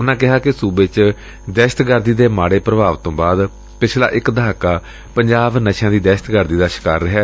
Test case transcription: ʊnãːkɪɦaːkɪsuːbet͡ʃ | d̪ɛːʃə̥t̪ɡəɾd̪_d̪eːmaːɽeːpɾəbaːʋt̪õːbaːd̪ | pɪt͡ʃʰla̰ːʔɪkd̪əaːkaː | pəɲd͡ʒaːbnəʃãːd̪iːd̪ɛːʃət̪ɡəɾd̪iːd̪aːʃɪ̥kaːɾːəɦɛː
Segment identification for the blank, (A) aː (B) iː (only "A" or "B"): B